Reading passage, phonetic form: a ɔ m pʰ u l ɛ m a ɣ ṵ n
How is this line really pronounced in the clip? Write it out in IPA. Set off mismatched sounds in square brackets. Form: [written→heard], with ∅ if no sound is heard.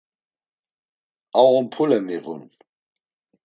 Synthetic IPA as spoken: a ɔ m pʰ u l ɛ m [a→i] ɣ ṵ n